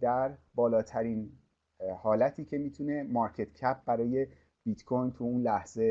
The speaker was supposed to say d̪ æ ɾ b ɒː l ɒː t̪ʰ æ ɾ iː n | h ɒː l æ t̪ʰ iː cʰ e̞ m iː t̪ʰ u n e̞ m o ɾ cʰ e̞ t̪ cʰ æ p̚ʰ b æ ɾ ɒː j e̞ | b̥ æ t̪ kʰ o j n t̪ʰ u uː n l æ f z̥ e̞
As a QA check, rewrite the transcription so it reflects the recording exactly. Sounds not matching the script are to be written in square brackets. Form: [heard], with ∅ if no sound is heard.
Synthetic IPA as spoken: d̪ æ ɾ b ɒː l ɒː t̪ʰ æ ɾ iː n | h ɒː l æ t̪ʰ iː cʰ e̞ m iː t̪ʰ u n e̞ m [ɒ] ɾ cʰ e̞ t̪ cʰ æ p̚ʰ b æ ɾ ɒː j e̞ | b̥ [i] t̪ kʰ o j n t̪ʰ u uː n l æ [h] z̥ e̞